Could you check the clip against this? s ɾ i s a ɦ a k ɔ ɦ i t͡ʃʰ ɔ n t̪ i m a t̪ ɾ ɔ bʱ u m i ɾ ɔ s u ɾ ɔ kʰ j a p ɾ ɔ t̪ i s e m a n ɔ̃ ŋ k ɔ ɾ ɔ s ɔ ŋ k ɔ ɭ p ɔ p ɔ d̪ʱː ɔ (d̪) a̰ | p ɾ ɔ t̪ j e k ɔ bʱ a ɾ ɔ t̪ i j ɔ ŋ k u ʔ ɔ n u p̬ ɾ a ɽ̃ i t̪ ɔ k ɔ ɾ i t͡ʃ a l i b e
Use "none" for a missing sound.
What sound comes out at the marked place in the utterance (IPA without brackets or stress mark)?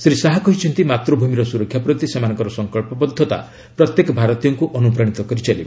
t̪